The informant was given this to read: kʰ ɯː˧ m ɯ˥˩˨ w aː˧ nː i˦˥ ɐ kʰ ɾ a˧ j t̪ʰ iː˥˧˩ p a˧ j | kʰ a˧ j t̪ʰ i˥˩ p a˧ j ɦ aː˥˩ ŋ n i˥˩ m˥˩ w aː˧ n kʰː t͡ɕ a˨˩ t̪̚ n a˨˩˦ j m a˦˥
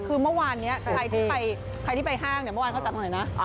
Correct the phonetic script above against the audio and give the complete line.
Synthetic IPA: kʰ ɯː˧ m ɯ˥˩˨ w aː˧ nː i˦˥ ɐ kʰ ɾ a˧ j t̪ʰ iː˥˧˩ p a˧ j | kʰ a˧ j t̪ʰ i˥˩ p a˧ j ɦ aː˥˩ ŋ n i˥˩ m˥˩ w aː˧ n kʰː t͡ɕ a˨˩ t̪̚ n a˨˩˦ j n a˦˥